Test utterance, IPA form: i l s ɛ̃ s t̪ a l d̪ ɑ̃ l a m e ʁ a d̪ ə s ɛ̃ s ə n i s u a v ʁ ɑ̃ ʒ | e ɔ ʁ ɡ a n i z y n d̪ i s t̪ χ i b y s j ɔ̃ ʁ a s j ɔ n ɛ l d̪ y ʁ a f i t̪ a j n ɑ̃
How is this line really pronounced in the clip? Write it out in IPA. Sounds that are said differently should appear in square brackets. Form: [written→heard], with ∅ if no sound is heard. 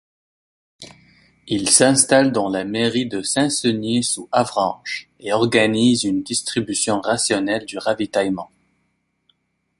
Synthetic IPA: i l s ɛ̃ s t̪ a l d̪ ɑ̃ l a m e ʁ [a→i] d̪ ə s ɛ̃ s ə n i s u a v ʁ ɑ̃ ʒ | e ɔ ʁ ɡ a n i z y n d̪ i s t̪ χ i b y s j ɔ̃ ʁ a s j ɔ n ɛ l d̪ y ʁ a [f→v] i t̪ a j [n→m] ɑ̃